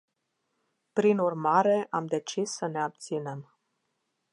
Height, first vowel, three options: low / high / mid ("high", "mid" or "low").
high